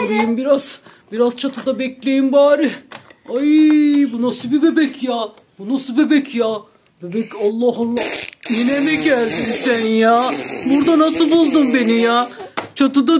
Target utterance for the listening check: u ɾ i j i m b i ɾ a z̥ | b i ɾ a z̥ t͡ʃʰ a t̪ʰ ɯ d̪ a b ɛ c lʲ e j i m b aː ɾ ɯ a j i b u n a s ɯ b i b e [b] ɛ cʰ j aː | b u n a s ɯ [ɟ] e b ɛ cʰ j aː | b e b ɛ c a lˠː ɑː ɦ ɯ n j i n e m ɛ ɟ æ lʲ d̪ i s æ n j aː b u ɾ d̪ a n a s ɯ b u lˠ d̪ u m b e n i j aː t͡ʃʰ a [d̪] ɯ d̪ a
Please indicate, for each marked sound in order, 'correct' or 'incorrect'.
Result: correct, incorrect, incorrect

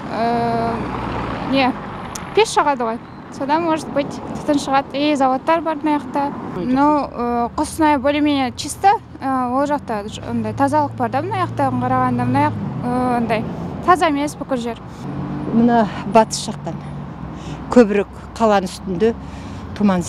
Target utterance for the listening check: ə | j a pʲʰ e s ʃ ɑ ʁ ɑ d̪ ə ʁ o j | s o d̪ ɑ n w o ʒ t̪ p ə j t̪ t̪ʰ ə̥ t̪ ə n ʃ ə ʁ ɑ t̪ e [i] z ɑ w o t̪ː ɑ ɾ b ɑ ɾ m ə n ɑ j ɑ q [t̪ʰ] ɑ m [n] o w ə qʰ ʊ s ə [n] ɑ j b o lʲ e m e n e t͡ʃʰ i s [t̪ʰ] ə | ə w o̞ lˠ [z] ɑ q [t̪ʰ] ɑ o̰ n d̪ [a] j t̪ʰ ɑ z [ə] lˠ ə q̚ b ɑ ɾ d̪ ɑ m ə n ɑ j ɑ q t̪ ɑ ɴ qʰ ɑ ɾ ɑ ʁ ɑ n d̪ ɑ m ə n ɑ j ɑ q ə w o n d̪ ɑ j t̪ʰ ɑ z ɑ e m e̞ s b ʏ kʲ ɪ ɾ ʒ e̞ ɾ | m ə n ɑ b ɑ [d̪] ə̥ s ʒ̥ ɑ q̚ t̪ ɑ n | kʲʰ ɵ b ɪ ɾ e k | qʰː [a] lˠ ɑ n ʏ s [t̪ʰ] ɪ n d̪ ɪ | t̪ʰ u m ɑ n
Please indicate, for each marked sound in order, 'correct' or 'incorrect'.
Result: incorrect, incorrect, correct, correct, incorrect, incorrect, incorrect, incorrect, incorrect, incorrect, incorrect, incorrect

